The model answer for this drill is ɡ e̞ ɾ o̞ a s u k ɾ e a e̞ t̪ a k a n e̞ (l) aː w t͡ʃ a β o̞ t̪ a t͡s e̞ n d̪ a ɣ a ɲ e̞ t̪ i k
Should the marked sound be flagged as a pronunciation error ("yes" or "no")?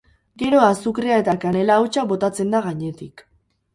no